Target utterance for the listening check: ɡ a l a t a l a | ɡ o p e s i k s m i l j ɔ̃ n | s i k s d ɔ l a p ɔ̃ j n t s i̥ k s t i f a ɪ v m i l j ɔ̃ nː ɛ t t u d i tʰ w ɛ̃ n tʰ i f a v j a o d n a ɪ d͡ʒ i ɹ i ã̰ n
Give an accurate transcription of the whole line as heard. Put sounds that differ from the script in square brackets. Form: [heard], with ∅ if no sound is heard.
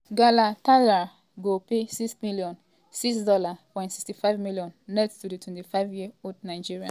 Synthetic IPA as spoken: ɡ a l a t a l a | ɡ o p e s i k s m i l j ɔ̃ n | s i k s d ɔ l a p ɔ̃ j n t s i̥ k s t i f a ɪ v m i l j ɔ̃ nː ɛ t t u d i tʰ w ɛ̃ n [t] i f a v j [i] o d n a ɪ d͡ʒ i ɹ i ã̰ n